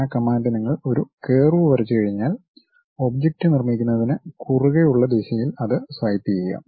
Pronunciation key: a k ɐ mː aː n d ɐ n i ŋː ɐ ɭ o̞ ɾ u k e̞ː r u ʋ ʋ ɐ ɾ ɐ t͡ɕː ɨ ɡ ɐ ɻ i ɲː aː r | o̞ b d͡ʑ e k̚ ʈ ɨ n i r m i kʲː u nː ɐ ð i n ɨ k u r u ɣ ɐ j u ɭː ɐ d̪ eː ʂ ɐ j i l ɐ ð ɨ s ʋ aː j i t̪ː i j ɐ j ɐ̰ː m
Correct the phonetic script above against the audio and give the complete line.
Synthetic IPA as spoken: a k ɐ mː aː n d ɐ n i ŋː ɐ ɭ o̞ ɾ u k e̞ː r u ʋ ʋ ɐ ɾ ɐ t͡ɕː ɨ k ɐ ɻ i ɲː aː l | o̞ b d͡ʑ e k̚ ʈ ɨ n i r m i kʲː u nː ɐ ð i n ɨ k u r u ɣ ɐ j u ɭː ɐ d̪ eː ɕ ɐ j i l ɐ ð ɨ s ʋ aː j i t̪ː i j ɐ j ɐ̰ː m